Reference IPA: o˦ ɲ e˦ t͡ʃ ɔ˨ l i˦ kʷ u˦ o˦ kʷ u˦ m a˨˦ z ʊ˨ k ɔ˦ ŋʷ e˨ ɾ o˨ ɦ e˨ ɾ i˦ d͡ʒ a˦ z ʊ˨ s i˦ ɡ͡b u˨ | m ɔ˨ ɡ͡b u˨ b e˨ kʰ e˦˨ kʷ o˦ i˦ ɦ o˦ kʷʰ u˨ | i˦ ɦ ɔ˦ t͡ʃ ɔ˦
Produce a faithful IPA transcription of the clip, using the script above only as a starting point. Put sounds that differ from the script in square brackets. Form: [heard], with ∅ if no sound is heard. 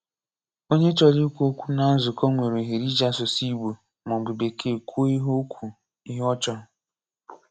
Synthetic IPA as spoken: o˦ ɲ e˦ t͡ʃ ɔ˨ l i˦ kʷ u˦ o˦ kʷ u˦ [n] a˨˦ z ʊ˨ k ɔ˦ ŋʷ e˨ ɾ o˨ ɦ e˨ ɾ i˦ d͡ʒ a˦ [s] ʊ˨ s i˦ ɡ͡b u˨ | m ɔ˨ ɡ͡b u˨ b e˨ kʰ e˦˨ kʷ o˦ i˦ ɦ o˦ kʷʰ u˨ | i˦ ɦ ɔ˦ t͡ʃ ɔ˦